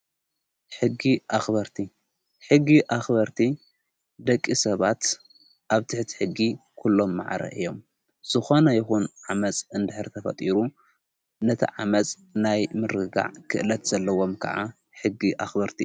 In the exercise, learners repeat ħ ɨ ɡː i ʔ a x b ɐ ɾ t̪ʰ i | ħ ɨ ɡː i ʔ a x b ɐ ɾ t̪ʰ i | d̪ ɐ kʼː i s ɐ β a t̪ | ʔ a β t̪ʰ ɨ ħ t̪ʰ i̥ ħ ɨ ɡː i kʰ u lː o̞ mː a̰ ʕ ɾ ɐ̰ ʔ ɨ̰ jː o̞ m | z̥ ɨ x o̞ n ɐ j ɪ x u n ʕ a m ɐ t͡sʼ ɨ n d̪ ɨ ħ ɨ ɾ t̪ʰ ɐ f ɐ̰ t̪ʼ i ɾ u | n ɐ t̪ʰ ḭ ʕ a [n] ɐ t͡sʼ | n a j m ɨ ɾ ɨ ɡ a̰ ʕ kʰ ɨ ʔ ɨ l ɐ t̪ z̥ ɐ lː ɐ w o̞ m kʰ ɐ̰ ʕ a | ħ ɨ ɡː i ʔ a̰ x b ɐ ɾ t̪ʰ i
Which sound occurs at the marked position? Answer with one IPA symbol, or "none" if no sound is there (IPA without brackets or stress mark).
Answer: m